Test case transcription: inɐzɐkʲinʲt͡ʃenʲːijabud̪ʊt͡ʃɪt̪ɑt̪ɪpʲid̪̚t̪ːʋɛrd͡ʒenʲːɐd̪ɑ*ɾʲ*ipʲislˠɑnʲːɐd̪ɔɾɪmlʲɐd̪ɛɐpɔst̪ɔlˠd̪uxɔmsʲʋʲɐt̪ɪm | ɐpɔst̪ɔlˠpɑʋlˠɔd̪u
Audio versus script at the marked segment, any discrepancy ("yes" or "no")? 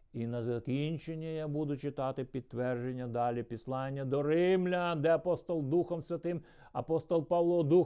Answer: yes